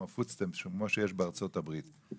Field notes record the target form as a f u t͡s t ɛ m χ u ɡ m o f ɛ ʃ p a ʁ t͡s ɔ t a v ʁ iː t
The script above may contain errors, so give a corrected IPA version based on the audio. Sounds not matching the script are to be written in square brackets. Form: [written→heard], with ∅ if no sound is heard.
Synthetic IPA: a f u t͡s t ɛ m [χ→ʃ] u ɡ m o [f→ʃ] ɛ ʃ [p→b] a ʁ t͡s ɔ t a [v→b] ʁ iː t